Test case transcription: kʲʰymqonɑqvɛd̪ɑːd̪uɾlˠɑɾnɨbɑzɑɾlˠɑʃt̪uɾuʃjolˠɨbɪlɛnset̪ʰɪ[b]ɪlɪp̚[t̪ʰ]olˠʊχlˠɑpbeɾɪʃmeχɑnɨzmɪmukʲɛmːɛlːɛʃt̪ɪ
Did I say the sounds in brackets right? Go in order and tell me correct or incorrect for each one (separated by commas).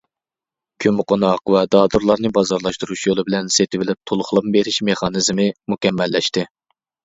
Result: incorrect, correct